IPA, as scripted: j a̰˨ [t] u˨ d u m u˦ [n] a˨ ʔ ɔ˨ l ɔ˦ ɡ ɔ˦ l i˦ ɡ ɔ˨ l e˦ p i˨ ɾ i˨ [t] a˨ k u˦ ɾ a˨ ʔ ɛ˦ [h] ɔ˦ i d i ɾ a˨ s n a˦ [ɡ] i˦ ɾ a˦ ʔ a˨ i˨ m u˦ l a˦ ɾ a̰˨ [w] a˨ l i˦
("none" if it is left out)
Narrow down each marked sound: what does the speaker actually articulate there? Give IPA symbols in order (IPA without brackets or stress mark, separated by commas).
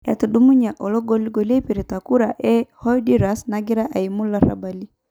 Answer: t, ɲ, t, h, ɡ, b